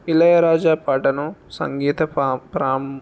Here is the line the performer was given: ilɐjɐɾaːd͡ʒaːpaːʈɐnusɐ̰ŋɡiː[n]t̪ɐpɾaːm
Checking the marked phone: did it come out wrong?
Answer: yes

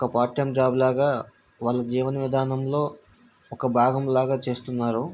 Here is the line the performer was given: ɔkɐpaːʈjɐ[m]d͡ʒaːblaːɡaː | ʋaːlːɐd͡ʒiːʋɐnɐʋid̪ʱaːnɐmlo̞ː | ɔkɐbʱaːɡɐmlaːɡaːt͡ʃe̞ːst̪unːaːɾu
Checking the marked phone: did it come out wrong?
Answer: no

